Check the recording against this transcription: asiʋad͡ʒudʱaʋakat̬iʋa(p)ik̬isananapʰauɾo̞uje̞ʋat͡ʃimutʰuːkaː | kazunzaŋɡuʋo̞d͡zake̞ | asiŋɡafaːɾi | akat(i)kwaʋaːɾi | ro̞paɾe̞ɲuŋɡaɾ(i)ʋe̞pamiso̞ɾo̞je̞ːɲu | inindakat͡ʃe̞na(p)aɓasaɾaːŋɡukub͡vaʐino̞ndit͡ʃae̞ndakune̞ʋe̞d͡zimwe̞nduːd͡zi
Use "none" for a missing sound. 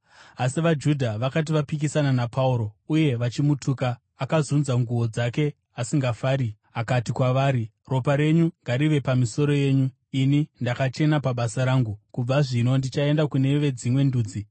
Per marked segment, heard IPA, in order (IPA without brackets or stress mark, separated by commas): p, i, i, p